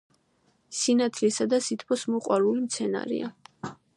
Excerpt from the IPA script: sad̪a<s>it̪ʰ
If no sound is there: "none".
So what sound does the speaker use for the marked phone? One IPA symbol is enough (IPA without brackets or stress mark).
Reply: s